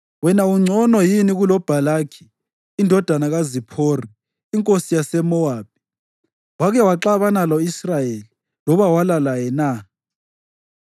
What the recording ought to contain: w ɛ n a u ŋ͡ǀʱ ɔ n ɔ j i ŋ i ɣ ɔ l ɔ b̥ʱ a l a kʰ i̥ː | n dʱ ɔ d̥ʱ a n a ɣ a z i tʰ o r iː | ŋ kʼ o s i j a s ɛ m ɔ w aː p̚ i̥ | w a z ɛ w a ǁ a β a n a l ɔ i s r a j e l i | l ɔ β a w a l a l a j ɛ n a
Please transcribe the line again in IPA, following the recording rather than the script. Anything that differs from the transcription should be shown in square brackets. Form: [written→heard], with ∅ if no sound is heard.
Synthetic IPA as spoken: w ɛ n a u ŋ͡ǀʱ ɔ n ɔ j i [ŋ→n] i ɣ [ɔ→u] l ɔ b̥ʱ a l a kʰ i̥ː | n dʱ ɔ d̥ʱ a n a ɣ a z i [tʰ→pʰ] o r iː | ŋ kʼ o s i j a s ɛ m ɔ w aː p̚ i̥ | w a [z→ɣ] ɛ w a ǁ a β a n a l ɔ i s r a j e l i | l ɔ β a w a l a l a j ɛ n a

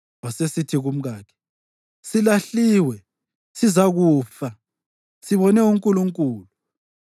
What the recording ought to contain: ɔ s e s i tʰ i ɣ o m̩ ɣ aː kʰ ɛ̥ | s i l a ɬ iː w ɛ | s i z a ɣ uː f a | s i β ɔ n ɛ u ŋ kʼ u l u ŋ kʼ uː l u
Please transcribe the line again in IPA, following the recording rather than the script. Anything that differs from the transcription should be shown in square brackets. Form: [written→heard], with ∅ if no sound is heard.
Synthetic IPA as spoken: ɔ s e s i tʰ i ɣ [o→u] m̩ ɣ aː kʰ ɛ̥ | s i l a ɬ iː w ɛ | s i z a ɣ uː f a | s i β ɔ n ɛ u ŋ kʼ u l u ŋ kʼ uː l u

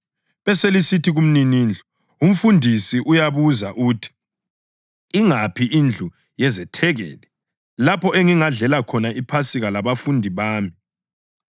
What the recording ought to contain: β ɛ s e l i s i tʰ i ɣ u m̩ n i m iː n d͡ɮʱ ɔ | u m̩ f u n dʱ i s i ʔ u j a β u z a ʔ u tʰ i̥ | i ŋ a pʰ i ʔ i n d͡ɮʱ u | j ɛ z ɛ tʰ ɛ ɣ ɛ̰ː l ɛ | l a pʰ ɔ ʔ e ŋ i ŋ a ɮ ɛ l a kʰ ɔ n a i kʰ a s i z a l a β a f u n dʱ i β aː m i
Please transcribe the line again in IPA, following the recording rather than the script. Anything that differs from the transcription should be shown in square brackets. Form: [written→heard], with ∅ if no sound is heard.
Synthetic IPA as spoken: β ɛ s e l i s i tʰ i ɣ u m̩ n i [m→n] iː n d͡ɮʱ ɔ | u m̩ f u n dʱ i s i ʔ u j a β u z a ʔ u tʰ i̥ | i ŋ a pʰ i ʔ i n d͡ɮʱ u | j ɛ z ɛ tʰ ɛ ɣ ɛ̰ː l ɛ | l a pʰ ɔ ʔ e ŋ i ŋ a ɮ ɛ l a kʰ ɔ n a i [kʰ→pʰ] a s i [z→ɣ] a l a β a f u n dʱ i β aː m i

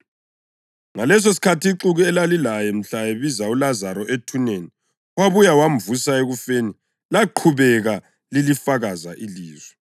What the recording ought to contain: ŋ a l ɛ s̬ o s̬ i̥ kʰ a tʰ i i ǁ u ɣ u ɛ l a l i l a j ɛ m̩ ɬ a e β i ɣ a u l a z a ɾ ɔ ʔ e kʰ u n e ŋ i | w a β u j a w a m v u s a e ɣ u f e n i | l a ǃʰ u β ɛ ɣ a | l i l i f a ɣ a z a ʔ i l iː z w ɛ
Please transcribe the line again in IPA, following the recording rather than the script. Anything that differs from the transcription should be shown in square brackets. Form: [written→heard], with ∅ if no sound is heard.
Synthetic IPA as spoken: ŋ a l ɛ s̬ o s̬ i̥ kʰ a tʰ i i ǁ u ɣ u ɛ l a l i l a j ɛ m̩ ɬ a e β i [ɣ→z] a u l a z a ɾ ɔ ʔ e [kʰ→tʰ] u n e [ŋ→n] i | w a β u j a w a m v u s a e ɣ u f e n i | l a ǃʰ u β ɛ ɣ a | l i l i f a ɣ a z a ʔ i l iː z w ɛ

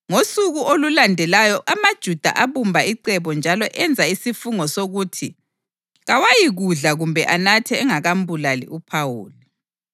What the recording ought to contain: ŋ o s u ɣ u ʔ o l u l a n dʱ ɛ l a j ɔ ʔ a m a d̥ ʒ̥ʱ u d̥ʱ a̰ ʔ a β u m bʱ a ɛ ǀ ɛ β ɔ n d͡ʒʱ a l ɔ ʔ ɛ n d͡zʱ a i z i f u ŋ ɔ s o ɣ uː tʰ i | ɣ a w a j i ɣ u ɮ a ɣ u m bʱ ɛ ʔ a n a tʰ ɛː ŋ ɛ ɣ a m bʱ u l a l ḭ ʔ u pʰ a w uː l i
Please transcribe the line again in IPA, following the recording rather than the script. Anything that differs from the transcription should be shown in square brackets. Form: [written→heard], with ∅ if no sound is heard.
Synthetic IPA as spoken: ŋ o s u ɣ u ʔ o l u l a n dʱ ɛ l a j ɔ ʔ a m a d̥ ʒ̥ʱ u d̥ʱ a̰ ʔ a β u m bʱ a [ɛ→i] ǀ ɛ β ɔ n d͡ʒʱ a l ɔ ʔ ɛ n d͡zʱ a i [z→s] i f u ŋ ɔ s o ɣ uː tʰ i | ɣ a w a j i ɣ u ɮ a ɣ u m bʱ ɛ ʔ a n a tʰ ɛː ŋ [ɛ→a] ɣ a m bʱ u l a l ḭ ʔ u pʰ a w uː l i

